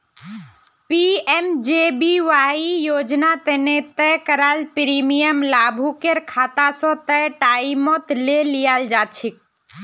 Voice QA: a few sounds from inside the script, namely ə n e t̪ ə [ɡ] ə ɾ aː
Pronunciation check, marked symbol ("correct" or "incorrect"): incorrect